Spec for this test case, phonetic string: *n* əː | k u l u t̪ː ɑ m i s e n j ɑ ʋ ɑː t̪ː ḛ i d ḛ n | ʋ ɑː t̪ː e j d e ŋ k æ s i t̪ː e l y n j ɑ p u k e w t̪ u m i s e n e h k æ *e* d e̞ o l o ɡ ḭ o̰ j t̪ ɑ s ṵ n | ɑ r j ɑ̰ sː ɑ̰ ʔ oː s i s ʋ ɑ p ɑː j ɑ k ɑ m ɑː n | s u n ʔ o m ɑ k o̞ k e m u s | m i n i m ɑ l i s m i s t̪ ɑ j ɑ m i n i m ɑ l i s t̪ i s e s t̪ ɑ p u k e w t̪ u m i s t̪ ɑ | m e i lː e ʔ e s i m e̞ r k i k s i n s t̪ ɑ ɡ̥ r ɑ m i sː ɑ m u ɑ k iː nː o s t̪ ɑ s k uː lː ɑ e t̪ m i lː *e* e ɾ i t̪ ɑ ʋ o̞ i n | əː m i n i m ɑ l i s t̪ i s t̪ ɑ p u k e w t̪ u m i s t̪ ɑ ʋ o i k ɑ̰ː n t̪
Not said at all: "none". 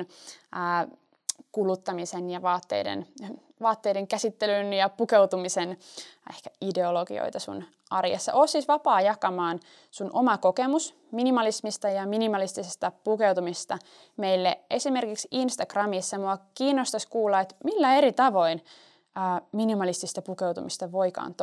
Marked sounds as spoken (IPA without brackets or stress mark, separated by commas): n, i, æ